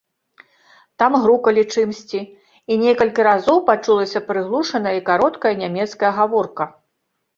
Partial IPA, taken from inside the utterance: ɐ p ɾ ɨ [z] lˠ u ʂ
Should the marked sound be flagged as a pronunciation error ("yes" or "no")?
yes